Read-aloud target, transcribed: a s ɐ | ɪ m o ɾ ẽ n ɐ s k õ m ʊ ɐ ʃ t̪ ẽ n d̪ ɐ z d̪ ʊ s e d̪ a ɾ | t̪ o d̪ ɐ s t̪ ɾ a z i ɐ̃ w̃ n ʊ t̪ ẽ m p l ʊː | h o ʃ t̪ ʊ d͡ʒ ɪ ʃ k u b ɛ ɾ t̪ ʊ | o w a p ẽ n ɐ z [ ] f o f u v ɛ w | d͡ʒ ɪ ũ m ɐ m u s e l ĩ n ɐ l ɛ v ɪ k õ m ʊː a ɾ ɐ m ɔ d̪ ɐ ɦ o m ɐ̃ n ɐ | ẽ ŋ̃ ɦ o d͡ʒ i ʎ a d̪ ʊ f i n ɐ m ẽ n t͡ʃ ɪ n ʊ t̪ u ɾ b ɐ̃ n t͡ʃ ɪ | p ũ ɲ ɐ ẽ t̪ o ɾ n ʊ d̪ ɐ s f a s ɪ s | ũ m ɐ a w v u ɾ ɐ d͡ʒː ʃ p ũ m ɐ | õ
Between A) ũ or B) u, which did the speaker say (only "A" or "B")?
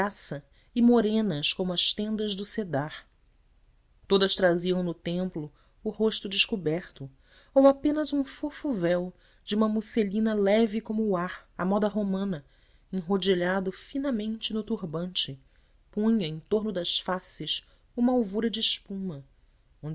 A